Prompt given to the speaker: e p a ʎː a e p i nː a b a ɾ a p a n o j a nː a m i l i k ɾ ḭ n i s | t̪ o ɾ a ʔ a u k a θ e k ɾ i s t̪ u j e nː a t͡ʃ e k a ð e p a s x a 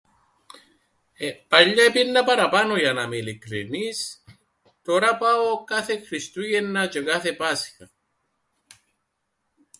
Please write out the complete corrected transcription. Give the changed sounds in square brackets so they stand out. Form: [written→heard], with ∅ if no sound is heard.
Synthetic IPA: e p a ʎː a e p i nː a [b→p] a ɾ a p a n o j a [nː→n] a m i l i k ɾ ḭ n i s | t̪ o ɾ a [ʔ→p] a [u→o] k a θ e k ɾ i s t̪ u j e nː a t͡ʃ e k a [ð→θ] e p a s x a